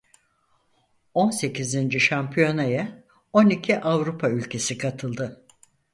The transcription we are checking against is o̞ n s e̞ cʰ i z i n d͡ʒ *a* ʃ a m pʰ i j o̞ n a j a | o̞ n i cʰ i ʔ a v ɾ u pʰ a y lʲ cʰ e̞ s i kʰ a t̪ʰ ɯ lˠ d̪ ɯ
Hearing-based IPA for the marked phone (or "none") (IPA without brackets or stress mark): i